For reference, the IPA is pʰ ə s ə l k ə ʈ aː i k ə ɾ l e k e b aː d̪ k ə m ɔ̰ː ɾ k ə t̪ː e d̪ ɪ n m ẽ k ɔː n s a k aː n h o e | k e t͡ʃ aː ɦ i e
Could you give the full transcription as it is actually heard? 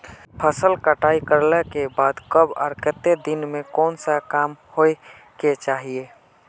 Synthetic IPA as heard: pʰ ə s ə l k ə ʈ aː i k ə ɾ l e k e b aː d̪ k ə b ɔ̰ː ɾ k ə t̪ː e d̪ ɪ n m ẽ k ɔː n s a k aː m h o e | k e t͡ʃ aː ɦ i e